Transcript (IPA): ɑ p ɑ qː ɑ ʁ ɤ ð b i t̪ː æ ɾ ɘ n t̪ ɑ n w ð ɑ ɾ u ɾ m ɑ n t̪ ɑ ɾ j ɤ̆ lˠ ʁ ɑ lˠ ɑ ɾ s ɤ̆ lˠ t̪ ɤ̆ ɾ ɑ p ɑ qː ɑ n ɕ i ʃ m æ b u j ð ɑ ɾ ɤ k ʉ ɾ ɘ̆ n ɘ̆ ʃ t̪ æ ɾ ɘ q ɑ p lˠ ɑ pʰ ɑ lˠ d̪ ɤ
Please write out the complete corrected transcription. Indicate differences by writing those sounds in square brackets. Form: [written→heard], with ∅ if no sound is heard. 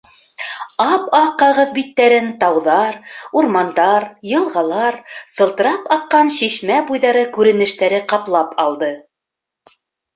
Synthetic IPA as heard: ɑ p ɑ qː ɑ ʁ ɤ ð b i t̪ː æ ɾ ɘ n t̪ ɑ [n→∅] w ð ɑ ɾ u ɾ m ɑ n [t̪→d̪] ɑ ɾ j ɤ̆ lˠ ʁ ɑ lˠ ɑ ɾ s ɤ̆ lˠ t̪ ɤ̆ ɾ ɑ p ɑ qː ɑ n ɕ i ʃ m æ b u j ð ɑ ɾ ɤ k ʉ ɾ ɘ̆ n ɘ̆ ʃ t̪ æ ɾ ɘ q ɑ p lˠ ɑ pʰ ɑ lˠ d̪ ɤ